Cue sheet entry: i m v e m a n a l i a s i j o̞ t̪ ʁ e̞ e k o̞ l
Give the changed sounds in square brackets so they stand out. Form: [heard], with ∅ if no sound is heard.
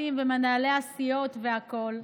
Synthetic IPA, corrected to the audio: i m v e m a n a l [e] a s i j o̞ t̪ [v] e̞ [a] k o̞ l